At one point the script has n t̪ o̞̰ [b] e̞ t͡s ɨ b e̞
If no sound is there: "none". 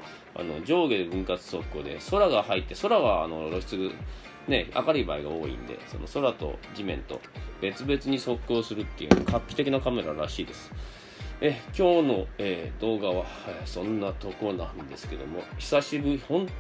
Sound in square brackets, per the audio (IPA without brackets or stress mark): b